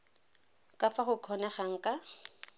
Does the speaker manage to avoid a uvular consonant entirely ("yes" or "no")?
no